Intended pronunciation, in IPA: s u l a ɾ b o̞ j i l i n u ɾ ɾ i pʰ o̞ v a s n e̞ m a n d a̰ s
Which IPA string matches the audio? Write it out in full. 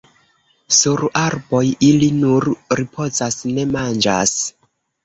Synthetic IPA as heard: s u ɾ a ɾ b o̞ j i l i n u ɾ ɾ i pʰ o̞ z a s n e̞ m a n d͡ʒ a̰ s